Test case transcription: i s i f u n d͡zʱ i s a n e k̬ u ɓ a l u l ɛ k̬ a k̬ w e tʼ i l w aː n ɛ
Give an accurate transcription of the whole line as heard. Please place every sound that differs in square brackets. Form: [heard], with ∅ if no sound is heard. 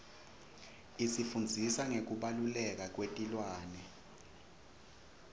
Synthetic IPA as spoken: i s i f u n d͡zʱ i s a [ŋ] e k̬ u ɓ a l u l ɛ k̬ a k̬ w e tʼ i l w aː n ɛ